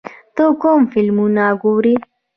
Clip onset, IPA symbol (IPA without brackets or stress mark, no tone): t̪